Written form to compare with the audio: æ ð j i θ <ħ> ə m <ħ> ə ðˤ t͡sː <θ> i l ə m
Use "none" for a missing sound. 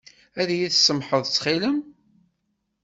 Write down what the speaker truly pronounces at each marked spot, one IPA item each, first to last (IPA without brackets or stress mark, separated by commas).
s, ħ, χ